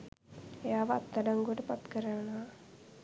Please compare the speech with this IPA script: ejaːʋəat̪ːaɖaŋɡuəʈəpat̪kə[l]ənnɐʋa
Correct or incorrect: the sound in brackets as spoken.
incorrect: ɾ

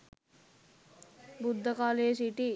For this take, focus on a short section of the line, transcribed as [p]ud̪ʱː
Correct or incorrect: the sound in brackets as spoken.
incorrect: b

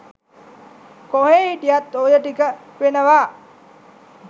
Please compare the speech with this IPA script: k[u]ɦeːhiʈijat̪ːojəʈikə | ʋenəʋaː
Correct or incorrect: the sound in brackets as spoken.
incorrect: o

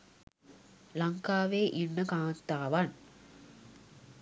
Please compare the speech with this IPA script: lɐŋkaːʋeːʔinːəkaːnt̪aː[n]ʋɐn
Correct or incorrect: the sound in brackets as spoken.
incorrect: none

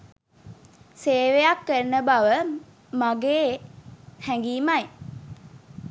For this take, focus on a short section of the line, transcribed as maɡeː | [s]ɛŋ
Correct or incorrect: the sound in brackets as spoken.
incorrect: h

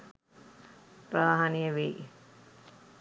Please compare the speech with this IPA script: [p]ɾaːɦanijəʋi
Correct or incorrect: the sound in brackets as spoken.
correct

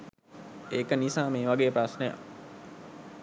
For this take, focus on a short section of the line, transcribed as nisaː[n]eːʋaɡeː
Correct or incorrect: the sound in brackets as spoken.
incorrect: m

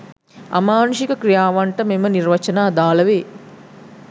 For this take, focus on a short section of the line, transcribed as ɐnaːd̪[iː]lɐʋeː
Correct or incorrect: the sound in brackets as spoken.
incorrect: aː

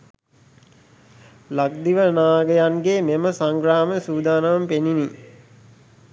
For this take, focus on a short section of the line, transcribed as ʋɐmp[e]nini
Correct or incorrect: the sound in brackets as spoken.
correct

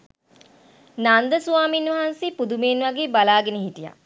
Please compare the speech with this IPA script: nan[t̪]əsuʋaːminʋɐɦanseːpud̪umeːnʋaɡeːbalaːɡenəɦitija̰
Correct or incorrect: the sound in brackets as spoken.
incorrect: d̪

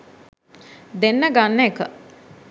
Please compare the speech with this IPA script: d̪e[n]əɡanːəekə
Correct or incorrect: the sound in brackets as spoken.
incorrect: nː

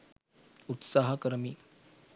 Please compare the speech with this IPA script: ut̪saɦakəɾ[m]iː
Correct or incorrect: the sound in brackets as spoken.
correct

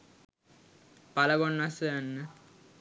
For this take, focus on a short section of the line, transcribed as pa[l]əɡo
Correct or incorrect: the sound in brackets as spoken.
correct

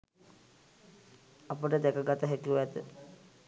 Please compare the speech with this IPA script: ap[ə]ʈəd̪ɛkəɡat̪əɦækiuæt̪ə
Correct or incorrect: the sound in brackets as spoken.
correct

